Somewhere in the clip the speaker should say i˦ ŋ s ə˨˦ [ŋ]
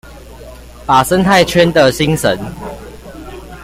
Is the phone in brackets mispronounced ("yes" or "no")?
yes